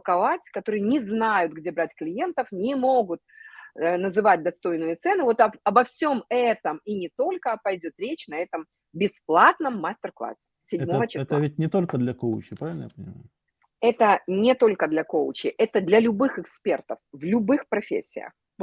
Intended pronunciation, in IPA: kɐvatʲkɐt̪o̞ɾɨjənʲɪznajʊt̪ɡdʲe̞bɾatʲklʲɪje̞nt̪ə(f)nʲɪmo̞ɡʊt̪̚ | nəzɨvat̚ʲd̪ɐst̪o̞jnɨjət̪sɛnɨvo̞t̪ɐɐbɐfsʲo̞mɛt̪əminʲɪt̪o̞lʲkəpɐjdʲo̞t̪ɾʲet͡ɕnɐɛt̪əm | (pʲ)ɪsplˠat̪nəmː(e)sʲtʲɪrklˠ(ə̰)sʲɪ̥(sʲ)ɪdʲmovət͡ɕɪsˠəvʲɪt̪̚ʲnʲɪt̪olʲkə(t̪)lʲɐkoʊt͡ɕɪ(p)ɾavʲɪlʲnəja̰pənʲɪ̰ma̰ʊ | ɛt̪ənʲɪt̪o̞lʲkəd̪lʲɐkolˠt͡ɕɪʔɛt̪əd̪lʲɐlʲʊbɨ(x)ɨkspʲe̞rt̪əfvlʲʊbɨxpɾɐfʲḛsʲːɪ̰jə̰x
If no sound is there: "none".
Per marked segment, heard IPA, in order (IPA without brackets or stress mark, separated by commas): f, bʲ, a, a̰, sʲ, d̪, p, x